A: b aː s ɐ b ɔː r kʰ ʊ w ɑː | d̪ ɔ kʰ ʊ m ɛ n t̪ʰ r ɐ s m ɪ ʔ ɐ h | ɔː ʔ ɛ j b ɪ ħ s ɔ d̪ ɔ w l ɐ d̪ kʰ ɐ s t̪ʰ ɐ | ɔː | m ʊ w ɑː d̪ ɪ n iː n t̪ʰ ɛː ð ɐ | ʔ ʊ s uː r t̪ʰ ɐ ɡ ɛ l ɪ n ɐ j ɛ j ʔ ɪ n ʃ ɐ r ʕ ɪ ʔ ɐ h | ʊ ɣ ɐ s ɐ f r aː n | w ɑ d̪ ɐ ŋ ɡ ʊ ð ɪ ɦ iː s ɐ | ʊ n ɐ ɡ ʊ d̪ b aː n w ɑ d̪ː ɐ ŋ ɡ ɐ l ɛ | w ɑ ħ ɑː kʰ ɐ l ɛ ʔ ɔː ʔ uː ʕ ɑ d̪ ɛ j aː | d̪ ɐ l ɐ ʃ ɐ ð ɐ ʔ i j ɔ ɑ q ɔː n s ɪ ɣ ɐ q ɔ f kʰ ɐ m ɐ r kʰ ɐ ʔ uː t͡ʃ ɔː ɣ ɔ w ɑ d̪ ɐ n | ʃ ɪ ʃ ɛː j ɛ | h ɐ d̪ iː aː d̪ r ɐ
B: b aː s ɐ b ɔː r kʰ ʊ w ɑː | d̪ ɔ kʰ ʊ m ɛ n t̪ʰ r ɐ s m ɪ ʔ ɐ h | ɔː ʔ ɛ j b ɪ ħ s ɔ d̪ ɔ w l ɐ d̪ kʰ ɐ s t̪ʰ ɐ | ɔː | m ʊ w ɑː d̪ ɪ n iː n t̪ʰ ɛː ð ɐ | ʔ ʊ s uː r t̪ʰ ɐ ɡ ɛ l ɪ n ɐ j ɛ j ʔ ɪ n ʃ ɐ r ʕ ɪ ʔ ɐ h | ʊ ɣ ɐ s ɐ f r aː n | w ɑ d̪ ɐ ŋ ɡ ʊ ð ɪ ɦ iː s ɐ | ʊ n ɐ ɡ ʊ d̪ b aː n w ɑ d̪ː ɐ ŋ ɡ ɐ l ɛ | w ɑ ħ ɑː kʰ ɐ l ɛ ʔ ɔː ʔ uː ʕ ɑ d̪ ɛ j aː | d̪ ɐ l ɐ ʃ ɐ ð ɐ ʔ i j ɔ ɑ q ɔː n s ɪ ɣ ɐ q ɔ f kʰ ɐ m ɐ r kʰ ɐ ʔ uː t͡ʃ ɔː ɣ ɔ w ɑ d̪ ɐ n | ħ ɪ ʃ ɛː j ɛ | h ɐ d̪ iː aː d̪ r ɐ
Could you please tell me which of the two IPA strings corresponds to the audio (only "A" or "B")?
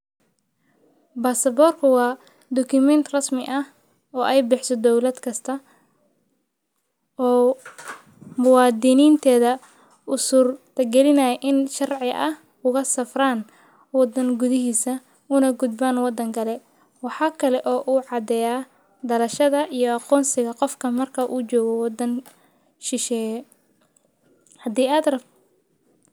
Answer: A